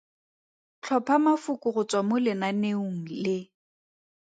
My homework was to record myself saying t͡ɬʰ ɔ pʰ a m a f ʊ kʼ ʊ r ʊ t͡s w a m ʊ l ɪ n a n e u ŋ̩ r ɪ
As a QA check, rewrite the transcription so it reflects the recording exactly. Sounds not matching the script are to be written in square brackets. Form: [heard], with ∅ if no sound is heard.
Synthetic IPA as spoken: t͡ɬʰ ɔ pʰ a m a f ʊ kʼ ʊ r ʊ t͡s w a m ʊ l ɪ n a n e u ŋ̩ [l] ɪ